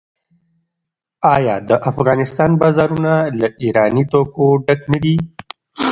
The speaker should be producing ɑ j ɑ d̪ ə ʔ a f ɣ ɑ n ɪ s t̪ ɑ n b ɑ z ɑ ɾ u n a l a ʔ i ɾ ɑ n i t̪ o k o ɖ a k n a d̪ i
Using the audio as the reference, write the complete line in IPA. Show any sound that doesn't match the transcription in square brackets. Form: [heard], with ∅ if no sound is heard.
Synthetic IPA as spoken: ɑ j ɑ d̪ ə ʔ a f ɣ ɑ n ɪ s t̪ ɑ n b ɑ z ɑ ɾ u n a l a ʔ i ɾ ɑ n i t̪ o k o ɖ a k n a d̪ i